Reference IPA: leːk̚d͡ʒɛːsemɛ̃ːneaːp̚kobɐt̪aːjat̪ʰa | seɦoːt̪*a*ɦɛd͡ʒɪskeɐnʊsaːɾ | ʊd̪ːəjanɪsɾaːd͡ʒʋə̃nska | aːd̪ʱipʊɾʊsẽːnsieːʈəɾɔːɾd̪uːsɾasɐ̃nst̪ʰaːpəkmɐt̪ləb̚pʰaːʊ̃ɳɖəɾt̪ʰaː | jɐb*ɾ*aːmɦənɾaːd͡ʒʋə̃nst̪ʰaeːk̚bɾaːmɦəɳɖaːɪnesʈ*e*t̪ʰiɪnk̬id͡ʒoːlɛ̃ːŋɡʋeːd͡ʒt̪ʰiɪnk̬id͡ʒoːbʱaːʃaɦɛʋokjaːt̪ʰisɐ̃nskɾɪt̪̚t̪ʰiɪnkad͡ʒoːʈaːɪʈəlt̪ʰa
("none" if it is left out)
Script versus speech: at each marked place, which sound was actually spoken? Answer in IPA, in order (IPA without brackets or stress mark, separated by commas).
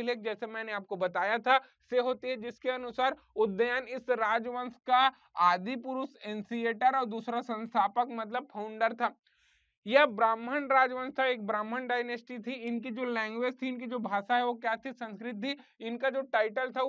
i, ɾ, i